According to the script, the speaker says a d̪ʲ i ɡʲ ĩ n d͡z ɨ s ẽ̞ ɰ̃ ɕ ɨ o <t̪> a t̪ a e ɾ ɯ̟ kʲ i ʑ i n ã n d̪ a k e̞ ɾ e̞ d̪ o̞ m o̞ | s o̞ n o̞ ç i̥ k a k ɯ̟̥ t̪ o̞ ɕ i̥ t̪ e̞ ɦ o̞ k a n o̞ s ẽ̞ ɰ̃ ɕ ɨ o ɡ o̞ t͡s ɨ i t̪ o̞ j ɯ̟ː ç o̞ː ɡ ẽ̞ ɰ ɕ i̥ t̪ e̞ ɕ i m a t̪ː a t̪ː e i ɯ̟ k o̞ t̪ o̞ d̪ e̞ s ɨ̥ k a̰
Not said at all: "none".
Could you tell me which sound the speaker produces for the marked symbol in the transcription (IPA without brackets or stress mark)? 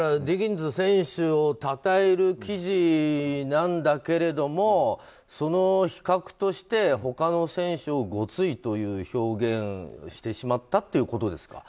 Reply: t̪